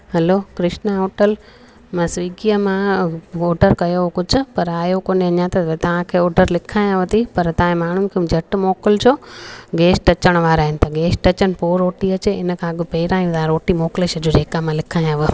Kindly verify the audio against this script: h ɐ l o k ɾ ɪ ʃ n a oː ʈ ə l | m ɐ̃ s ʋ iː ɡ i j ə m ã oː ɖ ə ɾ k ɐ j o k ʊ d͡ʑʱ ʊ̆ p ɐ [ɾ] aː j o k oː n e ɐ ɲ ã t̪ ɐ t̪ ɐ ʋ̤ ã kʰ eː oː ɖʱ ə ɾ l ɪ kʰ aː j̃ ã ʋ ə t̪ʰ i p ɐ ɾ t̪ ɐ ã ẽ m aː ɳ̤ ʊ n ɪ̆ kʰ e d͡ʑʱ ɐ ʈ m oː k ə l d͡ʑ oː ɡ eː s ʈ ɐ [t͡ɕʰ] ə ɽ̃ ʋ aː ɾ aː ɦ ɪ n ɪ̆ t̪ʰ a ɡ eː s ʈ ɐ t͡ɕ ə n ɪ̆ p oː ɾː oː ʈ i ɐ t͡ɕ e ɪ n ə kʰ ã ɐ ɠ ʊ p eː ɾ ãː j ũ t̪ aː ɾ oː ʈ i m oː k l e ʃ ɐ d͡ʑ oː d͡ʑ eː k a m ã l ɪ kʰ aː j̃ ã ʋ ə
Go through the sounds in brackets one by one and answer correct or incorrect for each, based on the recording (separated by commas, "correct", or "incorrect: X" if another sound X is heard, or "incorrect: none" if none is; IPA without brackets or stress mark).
correct, incorrect: t͡ɕ